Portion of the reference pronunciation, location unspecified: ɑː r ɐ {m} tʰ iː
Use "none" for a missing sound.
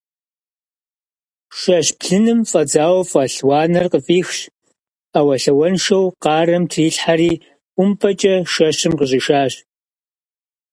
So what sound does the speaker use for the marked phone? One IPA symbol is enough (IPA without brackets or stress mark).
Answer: m